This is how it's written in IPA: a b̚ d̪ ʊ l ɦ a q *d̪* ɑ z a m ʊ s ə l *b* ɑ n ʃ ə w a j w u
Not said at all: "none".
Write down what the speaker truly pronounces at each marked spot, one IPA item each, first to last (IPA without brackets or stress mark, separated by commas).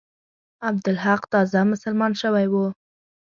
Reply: t̪, m